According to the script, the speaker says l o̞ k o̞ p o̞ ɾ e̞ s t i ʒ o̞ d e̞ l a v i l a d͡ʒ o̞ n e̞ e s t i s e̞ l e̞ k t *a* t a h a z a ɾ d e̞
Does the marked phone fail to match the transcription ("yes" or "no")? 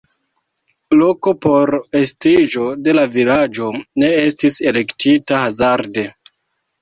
yes